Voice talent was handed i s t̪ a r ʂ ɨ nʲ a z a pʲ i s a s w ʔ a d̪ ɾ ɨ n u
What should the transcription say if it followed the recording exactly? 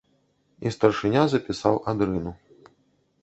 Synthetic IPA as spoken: i s t̪ ɐ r ʂ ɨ nʲ a z ɐ pʲ i s a w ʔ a d̪ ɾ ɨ n u